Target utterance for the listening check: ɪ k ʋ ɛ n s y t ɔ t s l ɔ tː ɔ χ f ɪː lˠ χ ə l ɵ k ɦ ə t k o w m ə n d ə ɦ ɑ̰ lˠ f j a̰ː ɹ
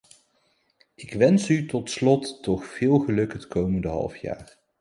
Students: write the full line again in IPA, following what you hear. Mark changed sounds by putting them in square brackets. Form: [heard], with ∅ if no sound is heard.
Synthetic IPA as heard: ɪ k ʋ ɛ n s y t ɔ t s l ɔ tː ɔ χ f ɪː lˠ χ ə l ɵ k ɦ ə t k o w m ə n d ə ɦ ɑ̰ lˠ f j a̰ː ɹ